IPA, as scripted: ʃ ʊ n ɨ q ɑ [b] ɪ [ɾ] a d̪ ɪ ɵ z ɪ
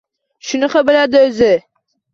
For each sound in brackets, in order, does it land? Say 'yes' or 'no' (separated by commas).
yes, no